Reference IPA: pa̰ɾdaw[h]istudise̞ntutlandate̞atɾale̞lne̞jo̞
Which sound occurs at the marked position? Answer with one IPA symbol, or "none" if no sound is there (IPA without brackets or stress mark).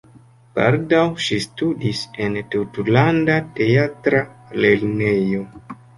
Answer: ʃ